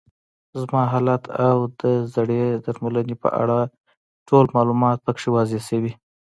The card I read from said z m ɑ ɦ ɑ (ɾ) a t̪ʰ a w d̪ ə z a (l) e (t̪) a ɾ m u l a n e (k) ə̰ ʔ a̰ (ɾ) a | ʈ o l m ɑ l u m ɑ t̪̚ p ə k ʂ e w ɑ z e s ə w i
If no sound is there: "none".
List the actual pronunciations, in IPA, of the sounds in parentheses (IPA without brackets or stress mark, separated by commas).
l, ɽ, d̪, p, ɽ